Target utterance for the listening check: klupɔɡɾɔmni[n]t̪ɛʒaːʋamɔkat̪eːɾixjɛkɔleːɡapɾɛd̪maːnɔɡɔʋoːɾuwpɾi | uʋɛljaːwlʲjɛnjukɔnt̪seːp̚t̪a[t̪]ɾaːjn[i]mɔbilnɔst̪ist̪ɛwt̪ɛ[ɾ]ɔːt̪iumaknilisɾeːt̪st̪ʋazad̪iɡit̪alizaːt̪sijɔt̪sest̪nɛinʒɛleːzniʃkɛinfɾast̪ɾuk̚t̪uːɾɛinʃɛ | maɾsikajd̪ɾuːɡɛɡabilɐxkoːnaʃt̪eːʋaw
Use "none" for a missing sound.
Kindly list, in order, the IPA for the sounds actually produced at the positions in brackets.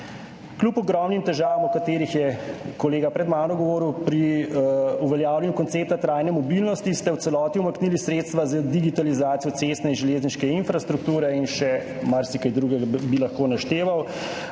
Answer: m, t̪, ɛ, l

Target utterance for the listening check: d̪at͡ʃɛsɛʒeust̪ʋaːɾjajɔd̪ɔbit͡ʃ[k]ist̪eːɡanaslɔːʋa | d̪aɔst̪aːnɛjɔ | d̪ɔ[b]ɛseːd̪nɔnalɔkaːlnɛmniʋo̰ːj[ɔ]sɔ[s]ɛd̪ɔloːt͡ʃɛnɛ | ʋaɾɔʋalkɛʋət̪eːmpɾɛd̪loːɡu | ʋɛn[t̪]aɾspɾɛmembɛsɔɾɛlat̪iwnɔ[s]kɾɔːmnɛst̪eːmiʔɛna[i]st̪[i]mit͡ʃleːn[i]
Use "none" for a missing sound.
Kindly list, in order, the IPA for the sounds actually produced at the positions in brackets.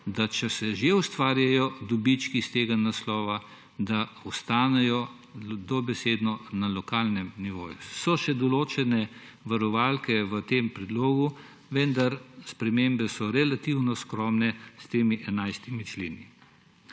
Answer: k, b, u, ʃ, d̪, s, j, i, i

